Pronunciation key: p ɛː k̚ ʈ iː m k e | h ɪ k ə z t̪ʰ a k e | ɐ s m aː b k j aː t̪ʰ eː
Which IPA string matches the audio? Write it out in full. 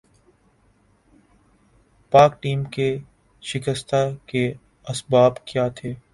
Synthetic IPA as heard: p aː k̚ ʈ iː m k e | ʃ ɪ k ə s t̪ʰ a k e | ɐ s b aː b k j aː t̪ʰ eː